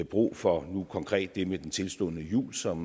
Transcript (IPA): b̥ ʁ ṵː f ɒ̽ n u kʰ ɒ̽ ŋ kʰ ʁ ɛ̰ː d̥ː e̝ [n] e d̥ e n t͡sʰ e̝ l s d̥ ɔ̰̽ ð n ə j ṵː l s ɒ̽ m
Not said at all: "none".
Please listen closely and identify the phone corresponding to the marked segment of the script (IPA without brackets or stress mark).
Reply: m